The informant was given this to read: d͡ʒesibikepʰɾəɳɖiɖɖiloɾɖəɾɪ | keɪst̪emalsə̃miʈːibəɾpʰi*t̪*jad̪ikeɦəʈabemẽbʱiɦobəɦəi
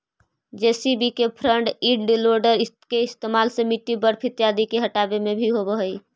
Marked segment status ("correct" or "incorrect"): correct